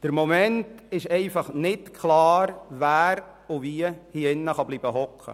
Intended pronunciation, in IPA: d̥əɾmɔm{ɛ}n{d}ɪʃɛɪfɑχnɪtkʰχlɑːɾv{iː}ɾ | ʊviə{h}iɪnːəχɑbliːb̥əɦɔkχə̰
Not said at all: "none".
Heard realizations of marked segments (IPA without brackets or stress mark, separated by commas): ɛ, t, æː, h